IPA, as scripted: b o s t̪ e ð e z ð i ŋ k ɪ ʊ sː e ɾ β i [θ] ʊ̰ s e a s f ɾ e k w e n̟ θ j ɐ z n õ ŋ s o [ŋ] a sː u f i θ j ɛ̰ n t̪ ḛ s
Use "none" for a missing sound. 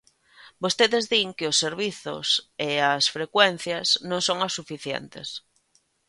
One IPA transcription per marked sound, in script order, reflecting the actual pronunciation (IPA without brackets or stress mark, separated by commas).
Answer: θ, ŋ